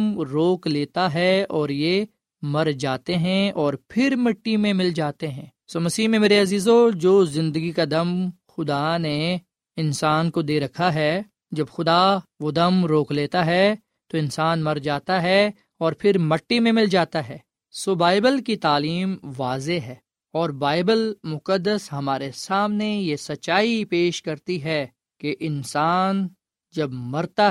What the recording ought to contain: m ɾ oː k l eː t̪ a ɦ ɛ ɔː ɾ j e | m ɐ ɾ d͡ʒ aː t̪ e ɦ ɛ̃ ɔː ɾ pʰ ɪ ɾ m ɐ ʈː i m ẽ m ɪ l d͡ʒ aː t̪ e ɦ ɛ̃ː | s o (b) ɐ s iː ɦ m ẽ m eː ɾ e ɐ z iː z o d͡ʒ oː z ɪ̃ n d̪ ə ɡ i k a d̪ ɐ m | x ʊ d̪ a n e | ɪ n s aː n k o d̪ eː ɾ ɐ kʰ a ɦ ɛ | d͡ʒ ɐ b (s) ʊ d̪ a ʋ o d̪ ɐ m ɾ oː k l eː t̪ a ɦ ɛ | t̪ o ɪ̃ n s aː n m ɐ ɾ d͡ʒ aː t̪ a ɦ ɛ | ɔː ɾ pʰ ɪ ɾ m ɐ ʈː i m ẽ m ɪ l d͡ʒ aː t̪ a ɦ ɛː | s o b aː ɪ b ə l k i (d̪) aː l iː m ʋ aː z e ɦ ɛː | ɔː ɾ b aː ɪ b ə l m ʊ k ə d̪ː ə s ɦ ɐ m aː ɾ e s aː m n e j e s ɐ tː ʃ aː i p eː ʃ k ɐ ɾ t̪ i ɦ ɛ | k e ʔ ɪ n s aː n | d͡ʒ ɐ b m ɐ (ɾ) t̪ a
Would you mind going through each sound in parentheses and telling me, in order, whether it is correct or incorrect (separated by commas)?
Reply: incorrect, incorrect, incorrect, correct